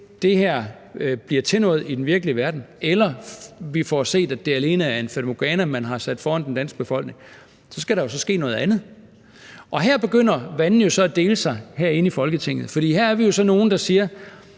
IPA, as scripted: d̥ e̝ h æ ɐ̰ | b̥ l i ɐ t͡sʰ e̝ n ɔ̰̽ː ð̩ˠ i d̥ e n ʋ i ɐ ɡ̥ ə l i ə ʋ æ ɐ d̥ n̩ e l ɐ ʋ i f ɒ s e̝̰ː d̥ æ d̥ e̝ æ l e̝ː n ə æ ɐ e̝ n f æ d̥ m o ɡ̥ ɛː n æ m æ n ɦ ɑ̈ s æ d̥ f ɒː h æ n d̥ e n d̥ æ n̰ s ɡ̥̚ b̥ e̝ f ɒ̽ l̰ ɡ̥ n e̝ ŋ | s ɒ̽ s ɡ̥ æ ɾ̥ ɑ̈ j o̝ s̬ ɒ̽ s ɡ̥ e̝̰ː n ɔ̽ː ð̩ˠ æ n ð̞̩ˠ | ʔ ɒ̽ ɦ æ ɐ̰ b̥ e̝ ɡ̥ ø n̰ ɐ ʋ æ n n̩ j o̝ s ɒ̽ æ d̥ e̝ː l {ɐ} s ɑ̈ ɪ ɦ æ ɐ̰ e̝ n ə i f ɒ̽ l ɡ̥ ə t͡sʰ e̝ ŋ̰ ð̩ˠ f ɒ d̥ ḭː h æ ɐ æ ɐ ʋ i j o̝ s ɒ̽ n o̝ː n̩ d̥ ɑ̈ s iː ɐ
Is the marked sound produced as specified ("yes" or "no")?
no